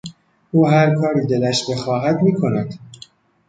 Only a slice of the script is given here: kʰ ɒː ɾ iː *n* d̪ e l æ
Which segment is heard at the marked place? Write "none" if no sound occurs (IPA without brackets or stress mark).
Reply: none